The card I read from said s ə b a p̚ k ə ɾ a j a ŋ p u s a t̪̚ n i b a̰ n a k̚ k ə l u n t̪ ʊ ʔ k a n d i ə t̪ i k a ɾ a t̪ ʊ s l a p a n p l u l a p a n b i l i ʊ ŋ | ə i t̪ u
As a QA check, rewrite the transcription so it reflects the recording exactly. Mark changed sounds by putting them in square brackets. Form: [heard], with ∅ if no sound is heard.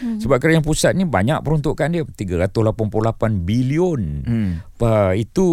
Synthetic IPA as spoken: s ə b a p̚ k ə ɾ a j a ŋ p u s a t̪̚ n i b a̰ [ɲ] a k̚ [p] ə [ɾ] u n t̪ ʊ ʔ k a n d i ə t̪ i [ɡ] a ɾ a t̪ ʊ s l a p a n p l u l a p a n b i l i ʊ [n] | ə i t̪ u